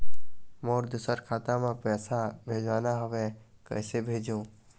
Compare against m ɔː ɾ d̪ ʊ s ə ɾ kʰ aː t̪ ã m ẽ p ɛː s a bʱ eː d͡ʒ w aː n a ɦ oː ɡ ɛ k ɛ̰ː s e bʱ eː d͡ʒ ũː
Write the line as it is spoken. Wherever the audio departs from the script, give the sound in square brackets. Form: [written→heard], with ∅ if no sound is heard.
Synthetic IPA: m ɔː ɾ d̪ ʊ s ə ɾ kʰ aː t̪ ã m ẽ p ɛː s a bʱ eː d͡ʒ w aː n a ɦ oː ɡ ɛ k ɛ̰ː s e bʱ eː d͡ʒ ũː